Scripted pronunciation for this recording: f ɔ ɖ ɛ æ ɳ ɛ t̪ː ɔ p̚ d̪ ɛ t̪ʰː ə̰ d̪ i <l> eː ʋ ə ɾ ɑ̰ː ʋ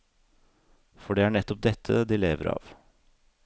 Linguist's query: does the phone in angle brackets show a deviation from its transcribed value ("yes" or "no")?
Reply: no